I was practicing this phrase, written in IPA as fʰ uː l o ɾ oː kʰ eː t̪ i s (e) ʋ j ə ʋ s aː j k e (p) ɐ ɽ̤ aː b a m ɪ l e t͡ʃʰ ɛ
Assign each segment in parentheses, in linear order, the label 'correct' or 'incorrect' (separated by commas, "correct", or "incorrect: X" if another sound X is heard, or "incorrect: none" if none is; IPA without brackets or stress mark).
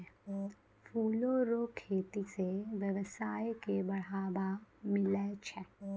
correct, incorrect: b